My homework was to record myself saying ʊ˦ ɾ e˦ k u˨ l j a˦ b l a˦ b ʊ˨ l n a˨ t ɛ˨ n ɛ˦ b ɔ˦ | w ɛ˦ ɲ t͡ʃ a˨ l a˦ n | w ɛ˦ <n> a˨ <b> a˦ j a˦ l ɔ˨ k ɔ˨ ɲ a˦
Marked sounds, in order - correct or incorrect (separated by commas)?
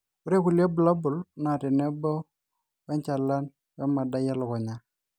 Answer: incorrect, incorrect